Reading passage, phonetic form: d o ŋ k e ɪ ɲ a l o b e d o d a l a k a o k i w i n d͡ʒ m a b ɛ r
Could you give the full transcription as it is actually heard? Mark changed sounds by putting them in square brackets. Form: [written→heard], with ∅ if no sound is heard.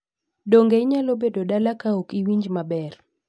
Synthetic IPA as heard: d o ŋ [k→ɡ] e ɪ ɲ a l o b e d o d a l a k a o k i w i [n→ɲ] d͡ʒ m a b ɛ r